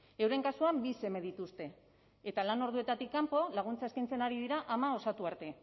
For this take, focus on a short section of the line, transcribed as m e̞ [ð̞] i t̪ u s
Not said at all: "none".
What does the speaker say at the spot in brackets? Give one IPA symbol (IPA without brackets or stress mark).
ð̞